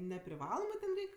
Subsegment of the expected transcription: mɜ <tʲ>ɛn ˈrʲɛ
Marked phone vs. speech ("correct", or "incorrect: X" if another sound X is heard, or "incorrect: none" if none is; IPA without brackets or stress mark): correct